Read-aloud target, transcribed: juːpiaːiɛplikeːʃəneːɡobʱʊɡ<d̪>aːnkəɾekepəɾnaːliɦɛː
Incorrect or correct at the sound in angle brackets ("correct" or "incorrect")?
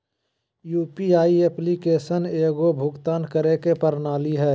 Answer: incorrect